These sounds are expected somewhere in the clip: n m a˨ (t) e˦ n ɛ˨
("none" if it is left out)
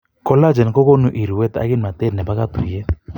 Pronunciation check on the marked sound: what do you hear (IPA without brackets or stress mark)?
t